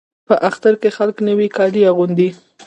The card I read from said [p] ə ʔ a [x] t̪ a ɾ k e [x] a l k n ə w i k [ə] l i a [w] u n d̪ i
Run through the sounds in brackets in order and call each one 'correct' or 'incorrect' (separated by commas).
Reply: correct, correct, correct, incorrect, incorrect